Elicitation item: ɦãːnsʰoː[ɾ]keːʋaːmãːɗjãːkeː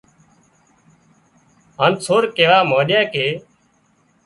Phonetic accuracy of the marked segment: correct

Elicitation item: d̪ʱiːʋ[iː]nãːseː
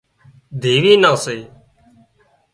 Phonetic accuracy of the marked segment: correct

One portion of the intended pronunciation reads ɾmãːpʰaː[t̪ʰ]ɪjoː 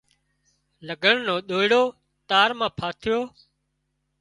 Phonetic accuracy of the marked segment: correct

